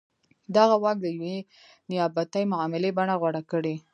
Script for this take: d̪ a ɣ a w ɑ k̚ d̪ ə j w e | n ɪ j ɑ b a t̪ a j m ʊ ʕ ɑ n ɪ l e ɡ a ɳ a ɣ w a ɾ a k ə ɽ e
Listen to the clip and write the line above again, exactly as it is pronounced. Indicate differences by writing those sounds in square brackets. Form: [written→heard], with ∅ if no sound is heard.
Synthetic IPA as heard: d̪ a ɣ a w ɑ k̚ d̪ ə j w e | n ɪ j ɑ b a t̪ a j m ʊ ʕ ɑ [n→m] ɪ l e [ɡ→b] a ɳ a ɣ w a [ɾ→ɽ] a k ə ɽ e